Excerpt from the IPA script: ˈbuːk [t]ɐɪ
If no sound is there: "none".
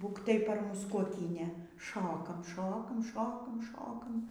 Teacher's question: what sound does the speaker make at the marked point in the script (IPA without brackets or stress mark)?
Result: t